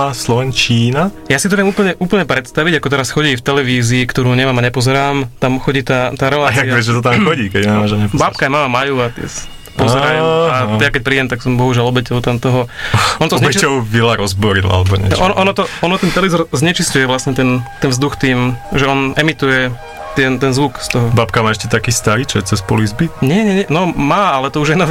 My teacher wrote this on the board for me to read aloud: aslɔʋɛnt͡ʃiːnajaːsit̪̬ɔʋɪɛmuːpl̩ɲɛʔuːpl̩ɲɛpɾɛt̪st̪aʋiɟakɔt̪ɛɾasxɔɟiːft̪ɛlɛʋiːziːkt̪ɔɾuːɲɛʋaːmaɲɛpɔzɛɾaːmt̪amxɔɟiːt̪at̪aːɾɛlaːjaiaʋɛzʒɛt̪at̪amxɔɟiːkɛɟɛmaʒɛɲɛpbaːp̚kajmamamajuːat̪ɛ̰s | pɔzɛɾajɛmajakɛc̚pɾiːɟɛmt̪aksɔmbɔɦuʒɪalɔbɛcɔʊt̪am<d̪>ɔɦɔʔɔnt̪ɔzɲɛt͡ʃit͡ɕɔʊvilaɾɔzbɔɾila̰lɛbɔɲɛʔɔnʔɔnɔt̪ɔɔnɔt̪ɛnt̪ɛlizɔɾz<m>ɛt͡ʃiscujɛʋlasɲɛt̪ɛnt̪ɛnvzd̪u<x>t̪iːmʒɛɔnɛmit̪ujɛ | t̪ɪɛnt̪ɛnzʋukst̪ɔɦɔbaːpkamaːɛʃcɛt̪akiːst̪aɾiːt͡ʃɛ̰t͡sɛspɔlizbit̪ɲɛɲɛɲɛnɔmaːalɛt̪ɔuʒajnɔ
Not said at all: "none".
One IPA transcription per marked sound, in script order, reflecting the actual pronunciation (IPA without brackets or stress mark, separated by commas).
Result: t̪, ɲ, x